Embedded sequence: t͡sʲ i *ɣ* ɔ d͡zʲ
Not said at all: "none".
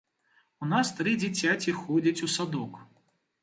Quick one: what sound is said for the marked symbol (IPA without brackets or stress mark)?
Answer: x